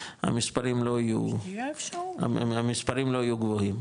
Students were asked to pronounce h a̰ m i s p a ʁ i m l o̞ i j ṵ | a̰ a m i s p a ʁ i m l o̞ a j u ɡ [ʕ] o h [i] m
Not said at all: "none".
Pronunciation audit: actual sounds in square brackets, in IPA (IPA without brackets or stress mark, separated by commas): v, i